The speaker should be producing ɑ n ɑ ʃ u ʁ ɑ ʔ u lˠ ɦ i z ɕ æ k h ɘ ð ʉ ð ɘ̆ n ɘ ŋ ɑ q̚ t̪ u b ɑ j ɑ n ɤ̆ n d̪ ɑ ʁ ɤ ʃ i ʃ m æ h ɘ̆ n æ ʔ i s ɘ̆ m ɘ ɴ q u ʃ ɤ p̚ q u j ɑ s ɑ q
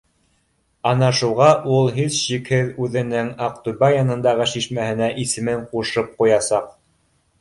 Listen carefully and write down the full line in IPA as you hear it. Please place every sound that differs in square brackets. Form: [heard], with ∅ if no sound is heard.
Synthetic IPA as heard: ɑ n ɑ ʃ u ʁ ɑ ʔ u lˠ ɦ i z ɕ [i] k h ɘ ð ʉ ð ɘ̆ n ɘ ŋ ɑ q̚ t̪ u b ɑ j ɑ n ɤ̆ n d̪ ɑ ʁ ɤ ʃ i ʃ m æ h ɘ̆ n æ ʔ i s ɘ̆ m ɘ ɴ q u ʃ ɤ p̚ q u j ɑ s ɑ q